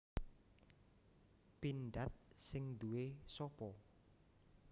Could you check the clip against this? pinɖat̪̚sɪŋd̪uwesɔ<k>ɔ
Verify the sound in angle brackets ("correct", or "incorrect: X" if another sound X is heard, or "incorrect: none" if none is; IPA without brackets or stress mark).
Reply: incorrect: p